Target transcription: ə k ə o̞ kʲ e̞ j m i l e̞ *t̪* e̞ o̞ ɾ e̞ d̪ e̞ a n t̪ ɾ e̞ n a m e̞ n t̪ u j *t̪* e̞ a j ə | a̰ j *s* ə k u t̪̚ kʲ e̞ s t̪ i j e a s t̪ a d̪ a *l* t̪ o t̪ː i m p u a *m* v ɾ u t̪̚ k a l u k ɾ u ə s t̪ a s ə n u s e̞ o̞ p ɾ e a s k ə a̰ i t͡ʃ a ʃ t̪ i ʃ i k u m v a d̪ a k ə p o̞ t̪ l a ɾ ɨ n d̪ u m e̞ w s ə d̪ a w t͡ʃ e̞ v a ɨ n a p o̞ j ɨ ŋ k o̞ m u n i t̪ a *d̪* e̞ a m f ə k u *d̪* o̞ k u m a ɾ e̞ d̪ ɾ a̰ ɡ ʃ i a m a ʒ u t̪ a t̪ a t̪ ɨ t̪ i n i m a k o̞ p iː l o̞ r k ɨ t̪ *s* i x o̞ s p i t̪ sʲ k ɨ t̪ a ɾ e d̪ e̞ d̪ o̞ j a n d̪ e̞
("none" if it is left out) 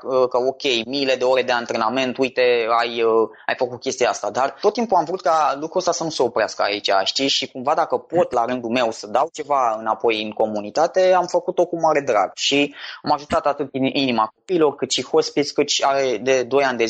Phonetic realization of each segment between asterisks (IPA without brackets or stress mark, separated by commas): d̪, t̪, f, r, m, t̪, t̪, ʃ